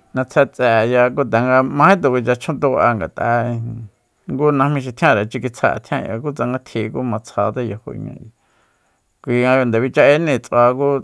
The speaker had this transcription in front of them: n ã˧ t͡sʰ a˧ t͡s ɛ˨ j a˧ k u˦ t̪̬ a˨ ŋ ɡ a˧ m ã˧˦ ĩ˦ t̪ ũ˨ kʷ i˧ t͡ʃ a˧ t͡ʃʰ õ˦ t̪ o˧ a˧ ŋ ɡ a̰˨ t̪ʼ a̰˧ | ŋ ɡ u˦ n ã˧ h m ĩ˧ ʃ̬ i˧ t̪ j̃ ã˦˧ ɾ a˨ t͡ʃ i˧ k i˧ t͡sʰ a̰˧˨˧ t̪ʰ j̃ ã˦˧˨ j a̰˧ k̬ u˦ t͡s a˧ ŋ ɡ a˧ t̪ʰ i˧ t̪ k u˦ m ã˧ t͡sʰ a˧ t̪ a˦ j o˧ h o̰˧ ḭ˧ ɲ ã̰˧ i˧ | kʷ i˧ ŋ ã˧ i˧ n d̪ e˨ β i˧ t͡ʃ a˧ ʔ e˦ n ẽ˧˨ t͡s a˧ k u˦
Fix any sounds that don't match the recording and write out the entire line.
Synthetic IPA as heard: n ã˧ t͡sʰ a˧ t͡s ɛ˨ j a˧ k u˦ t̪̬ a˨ ŋ ɡ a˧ m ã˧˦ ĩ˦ t̪ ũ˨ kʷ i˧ t͡ʃ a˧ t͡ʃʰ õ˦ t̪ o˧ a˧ ŋ ɡ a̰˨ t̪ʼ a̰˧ | ŋ ɡ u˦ n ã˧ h m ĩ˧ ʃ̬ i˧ t̪ʰ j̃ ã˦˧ ɾ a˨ t͡ʃ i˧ k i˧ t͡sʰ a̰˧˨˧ t̪ʰ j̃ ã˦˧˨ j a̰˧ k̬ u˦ t͡s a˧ ŋ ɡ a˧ t̪ʰ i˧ k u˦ m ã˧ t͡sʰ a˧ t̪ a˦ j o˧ h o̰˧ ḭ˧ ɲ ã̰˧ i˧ | kʷ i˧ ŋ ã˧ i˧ n d̪ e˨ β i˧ t͡ʃ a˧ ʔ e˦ n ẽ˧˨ t͡s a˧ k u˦